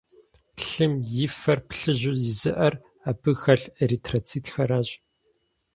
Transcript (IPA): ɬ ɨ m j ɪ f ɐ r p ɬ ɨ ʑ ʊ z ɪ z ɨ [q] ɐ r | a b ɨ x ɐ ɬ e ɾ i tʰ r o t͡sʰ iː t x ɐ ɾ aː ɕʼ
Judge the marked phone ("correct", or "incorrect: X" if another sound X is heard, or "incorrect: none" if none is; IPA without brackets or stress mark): incorrect: ʔ